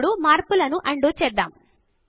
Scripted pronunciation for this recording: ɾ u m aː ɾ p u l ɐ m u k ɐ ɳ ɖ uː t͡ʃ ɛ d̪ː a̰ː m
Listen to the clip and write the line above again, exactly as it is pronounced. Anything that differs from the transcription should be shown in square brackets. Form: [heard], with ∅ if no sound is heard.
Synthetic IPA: [ɽ] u m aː ɾ p u l ɐ [n] u [ʔ] ɐ ɳ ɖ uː t͡ʃ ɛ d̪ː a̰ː m